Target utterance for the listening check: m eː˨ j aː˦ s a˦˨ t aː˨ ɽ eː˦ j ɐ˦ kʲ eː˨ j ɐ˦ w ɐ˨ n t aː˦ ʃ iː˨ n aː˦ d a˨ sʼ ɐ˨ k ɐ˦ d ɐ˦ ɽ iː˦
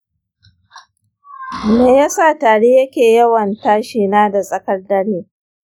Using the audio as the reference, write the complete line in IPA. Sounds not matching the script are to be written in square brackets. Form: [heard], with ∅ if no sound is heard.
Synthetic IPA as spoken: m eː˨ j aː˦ s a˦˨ t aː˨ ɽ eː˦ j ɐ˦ kʲ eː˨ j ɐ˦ w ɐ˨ n t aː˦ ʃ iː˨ n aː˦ d a˨ sʼ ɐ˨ k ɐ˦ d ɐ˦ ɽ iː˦